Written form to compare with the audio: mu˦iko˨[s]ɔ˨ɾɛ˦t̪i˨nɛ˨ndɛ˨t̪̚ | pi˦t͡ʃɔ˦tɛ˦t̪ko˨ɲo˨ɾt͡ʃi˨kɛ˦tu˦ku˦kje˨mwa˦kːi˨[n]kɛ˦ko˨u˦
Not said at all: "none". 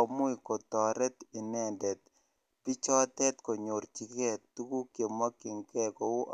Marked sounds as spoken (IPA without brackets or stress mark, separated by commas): t, ŋ